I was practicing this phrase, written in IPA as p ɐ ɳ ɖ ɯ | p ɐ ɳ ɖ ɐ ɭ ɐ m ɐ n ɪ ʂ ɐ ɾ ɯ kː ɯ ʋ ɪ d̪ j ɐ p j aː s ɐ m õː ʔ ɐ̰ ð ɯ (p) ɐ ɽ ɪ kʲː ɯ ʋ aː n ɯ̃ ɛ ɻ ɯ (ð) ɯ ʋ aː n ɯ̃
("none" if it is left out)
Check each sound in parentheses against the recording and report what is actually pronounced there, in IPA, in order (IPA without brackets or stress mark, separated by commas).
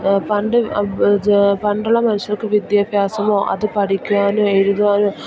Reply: p, ð